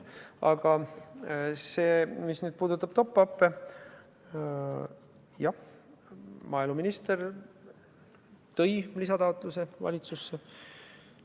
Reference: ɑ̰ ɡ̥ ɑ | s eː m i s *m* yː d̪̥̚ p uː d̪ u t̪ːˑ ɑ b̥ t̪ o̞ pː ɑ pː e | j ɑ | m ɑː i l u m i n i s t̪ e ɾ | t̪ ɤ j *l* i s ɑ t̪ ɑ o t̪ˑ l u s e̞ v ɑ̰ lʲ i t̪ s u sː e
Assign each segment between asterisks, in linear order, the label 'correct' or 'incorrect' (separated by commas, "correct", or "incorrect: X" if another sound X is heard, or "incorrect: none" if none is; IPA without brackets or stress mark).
incorrect: n, correct